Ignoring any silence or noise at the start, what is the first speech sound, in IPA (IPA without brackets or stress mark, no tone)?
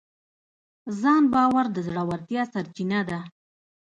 z